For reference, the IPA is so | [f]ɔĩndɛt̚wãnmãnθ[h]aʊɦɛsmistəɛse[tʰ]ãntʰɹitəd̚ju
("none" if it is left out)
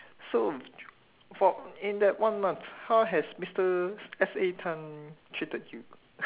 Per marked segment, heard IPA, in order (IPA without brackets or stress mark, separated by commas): f, h, tʰ